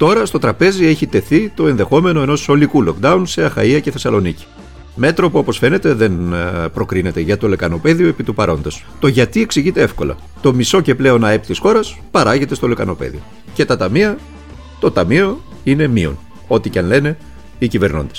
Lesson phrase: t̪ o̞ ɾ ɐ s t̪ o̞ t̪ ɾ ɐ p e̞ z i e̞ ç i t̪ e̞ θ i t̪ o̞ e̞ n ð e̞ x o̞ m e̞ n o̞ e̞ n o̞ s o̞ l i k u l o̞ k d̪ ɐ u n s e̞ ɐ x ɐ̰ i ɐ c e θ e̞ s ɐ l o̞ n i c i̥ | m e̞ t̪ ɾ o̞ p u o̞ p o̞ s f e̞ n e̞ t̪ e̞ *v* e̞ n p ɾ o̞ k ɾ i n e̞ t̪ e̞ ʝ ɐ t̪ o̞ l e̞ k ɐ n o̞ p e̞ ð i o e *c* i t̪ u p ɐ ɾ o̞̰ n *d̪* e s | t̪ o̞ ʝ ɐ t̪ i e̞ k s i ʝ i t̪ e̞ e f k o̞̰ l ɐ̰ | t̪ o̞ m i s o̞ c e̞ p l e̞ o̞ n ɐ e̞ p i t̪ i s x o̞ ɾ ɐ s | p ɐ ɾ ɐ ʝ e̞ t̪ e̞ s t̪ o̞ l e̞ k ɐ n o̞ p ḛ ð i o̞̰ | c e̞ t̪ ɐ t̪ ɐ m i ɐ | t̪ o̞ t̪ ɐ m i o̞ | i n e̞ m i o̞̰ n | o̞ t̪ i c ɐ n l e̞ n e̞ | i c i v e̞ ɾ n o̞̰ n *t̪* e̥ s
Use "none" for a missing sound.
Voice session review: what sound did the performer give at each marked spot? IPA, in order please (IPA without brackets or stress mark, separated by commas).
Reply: ð, p, d̪, d̪